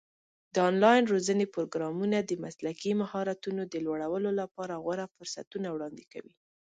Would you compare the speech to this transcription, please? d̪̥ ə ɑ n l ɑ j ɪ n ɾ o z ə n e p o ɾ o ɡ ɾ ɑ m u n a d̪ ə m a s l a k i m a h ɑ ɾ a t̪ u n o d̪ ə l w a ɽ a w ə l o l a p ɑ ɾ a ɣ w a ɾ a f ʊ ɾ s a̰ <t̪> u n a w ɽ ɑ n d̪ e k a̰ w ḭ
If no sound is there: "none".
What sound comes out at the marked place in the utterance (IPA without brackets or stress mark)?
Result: t̪